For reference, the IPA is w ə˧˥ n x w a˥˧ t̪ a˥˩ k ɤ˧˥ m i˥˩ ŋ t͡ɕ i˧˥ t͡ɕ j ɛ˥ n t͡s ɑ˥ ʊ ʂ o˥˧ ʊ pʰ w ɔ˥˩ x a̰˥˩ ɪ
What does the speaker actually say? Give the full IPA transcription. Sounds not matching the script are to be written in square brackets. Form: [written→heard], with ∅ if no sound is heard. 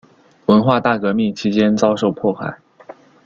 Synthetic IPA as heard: w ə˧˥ n x w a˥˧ t̪ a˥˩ k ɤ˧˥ m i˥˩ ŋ [t͡ɕ→t͡ɕʰ] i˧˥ t͡ɕ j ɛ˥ n t͡s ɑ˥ ʊ ʂ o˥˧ ʊ pʰ w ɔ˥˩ x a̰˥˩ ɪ